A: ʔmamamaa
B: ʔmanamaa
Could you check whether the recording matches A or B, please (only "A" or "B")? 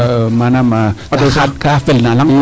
B